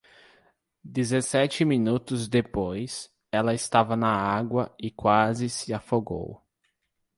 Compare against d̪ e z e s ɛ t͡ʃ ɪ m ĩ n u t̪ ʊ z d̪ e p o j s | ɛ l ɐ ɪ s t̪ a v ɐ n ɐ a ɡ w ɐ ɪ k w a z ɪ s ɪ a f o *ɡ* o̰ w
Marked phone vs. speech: correct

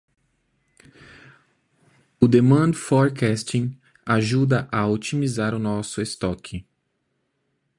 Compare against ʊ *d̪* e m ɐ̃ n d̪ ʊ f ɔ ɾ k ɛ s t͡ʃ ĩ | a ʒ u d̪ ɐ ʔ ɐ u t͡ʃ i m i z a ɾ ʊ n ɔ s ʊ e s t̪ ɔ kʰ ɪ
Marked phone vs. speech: correct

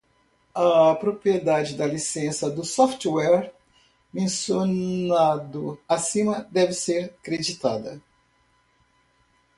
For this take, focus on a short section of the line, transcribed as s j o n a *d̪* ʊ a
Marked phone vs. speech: correct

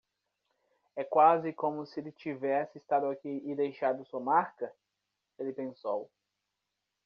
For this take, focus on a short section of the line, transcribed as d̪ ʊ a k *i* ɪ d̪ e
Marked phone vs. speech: correct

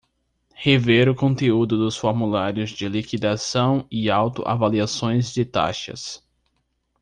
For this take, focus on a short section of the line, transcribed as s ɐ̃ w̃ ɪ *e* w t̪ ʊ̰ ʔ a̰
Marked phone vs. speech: incorrect: a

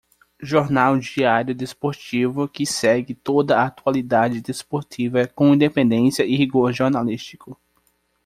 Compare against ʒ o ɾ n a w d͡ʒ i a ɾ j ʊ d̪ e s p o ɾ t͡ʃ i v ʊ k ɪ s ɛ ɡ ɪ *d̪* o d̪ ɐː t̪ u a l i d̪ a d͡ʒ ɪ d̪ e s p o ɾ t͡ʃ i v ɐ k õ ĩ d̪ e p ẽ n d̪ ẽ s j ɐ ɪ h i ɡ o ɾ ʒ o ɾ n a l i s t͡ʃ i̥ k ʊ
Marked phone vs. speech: incorrect: t̪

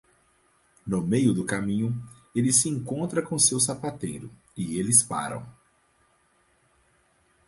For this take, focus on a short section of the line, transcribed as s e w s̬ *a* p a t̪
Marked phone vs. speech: correct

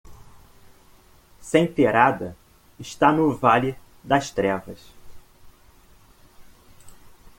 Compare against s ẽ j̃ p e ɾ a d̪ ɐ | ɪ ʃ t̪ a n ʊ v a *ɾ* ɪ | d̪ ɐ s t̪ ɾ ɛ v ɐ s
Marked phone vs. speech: incorrect: l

